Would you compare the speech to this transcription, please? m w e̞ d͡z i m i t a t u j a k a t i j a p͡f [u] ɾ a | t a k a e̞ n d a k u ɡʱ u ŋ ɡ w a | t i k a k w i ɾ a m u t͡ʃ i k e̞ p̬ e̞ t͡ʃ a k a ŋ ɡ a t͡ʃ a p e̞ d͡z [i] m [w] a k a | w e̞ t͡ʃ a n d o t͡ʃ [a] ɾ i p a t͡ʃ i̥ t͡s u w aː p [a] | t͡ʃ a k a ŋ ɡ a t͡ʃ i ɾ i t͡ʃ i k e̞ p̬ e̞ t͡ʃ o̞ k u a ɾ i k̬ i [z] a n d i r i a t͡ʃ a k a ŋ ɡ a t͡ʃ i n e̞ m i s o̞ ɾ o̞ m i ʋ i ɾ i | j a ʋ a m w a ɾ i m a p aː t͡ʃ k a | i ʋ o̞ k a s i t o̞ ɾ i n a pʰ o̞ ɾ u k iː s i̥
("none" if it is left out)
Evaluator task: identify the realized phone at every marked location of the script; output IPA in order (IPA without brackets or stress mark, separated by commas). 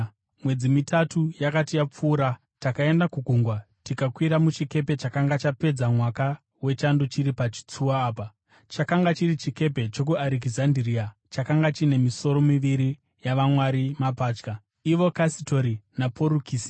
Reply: uː, a, w, i, a, z